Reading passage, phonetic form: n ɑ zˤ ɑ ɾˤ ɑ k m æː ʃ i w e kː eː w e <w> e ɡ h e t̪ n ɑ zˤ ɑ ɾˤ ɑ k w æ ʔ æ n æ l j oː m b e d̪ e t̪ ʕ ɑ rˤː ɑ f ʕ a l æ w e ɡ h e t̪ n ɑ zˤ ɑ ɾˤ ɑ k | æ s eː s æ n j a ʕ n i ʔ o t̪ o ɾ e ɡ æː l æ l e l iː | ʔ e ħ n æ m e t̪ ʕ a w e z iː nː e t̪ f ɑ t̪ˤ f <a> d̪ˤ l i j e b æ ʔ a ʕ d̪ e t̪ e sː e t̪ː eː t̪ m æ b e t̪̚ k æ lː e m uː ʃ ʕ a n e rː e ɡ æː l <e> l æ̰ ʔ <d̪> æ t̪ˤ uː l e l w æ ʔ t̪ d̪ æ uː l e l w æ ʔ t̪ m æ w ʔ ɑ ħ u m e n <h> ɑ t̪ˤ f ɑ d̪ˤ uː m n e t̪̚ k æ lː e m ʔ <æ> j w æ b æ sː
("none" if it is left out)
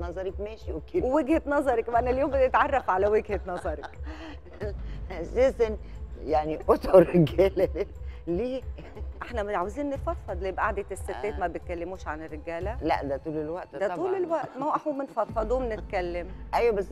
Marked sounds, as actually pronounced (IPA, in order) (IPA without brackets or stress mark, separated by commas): w, ɑ, æ, d̪, f, æ